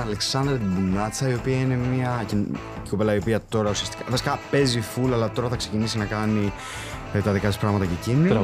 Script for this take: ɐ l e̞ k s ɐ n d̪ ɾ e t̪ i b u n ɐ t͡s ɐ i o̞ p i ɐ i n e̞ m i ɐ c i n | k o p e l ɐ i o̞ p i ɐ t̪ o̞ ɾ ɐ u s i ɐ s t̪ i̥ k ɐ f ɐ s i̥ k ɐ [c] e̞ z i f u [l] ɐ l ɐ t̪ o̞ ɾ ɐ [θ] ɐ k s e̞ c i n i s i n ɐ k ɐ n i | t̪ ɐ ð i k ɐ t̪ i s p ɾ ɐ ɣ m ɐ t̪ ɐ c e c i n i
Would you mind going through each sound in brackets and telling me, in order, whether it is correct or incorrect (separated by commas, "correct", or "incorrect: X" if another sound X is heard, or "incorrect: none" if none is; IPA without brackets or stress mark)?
incorrect: p, correct, correct